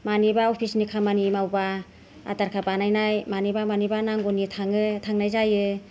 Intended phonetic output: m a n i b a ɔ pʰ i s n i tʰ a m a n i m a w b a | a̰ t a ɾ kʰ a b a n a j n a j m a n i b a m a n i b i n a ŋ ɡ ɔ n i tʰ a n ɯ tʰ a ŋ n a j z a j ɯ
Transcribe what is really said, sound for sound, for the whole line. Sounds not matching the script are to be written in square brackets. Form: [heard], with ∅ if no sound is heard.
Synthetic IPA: m a n i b a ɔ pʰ i s n i [kʰ] a m a n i m a w b a | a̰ t a ɾ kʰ a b a n a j n a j m a n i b a m a n i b [a] n a ŋ ɡ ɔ n i tʰ a [ŋ] ɯ tʰ a ŋ n a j z a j ɯ